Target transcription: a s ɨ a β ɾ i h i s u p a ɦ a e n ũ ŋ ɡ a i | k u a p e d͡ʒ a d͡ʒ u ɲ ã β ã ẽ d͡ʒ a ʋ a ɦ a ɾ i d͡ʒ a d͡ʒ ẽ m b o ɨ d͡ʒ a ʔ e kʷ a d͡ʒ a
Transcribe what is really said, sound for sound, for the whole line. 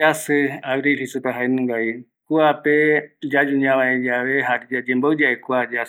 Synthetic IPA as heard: a s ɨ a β ɾ i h i s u p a ɦ a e n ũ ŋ ɡ a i | k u a p e d͡ʒ a d͡ʒ u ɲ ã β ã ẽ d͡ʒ a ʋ e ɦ a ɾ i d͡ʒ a d͡ʒ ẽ m b o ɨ d͡ʒ a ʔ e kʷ a d͡ʒ a